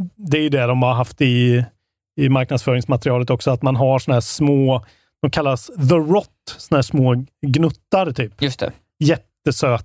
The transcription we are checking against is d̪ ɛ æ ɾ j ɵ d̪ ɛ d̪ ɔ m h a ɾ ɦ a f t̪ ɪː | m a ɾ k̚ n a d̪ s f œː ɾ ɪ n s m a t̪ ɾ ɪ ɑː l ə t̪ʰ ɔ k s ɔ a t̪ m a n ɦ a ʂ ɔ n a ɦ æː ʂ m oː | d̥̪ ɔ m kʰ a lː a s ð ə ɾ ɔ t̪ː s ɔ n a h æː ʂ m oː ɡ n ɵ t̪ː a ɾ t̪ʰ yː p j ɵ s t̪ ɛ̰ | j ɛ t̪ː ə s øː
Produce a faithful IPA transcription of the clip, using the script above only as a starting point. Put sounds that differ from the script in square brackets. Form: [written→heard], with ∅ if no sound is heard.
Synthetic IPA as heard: d̪ ɛ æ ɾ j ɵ d̪ ɛ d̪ ɔ m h a ɾ ɦ a f t̪ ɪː | m a ɾ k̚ n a d̪ s f œː ɾ ɪ [n→ŋ] s m a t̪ ɾ ɪ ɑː l ə [t̪ʰ→t̪] ɔ k s ɔ a t̪ m a n ɦ a ʂ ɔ n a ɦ æː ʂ m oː | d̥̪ ɔ m kʰ a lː a s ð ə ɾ ɔ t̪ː s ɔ n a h æː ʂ m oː ɡ n ɵ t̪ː a ɾ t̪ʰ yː p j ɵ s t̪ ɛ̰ | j ɛ t̪ː ə s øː